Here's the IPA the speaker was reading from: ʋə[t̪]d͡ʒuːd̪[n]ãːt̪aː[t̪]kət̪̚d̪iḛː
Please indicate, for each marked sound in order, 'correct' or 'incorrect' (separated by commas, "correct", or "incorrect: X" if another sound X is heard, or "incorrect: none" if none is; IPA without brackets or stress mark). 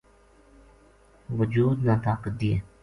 incorrect: none, correct, incorrect: none